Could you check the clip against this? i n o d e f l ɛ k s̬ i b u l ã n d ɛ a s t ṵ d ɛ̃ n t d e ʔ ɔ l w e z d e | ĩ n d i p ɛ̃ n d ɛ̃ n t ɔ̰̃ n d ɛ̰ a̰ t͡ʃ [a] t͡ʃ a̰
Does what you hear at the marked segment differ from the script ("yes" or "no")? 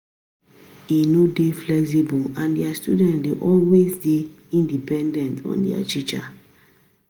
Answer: yes